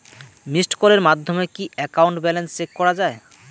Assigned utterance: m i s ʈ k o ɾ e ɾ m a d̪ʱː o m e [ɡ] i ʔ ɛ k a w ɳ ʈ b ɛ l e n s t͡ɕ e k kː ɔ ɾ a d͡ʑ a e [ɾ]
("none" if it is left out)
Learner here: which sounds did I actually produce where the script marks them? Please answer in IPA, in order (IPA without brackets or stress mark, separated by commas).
k, none